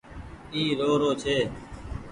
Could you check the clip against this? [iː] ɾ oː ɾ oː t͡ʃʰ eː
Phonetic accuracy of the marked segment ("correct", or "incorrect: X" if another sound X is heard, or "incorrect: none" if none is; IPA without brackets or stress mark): correct